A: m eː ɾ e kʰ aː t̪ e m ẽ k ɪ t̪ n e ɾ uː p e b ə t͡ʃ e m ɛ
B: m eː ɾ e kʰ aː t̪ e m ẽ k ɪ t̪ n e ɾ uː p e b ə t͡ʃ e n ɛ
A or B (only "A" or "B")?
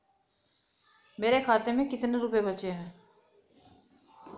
B